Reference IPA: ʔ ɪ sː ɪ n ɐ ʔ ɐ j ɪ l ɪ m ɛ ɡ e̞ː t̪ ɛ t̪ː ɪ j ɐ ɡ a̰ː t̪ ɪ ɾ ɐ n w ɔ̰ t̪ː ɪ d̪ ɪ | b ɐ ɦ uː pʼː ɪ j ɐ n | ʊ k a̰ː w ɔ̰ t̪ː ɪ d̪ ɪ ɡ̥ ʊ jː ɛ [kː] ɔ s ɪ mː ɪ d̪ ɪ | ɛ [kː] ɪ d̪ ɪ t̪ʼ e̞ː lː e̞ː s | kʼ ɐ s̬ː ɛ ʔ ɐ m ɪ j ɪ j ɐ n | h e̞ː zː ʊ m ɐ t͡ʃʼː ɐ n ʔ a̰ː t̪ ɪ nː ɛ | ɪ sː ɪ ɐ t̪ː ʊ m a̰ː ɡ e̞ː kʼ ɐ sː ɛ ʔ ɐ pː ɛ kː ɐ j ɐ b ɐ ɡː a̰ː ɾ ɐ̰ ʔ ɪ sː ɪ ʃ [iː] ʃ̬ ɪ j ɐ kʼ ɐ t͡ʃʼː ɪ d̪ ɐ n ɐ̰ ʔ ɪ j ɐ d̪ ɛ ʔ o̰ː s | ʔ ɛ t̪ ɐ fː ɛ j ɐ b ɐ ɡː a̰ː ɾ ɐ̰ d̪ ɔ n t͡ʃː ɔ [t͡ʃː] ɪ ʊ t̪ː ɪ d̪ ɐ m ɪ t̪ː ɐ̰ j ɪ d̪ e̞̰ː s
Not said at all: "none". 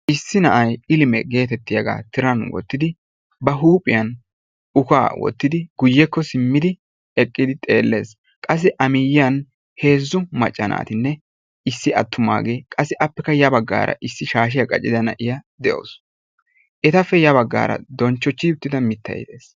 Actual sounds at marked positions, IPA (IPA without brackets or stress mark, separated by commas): kː, kʼː, aː, t͡ʃː